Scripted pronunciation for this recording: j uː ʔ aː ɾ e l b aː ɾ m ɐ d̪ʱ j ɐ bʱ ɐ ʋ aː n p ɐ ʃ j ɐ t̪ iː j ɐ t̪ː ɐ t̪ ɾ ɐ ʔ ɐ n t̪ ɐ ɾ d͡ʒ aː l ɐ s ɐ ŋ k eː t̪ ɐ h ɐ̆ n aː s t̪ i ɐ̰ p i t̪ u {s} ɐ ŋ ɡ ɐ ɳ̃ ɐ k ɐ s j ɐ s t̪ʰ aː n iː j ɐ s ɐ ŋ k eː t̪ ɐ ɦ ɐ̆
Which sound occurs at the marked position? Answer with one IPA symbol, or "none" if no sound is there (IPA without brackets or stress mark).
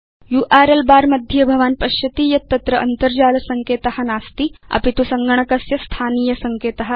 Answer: s